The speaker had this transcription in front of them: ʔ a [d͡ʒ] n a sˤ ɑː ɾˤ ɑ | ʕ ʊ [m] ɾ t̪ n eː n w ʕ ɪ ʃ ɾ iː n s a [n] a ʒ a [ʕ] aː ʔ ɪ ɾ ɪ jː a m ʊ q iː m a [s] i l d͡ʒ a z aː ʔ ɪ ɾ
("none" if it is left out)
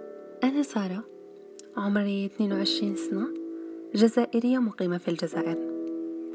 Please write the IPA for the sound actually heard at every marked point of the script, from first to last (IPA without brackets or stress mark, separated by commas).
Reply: none, m, n, z, f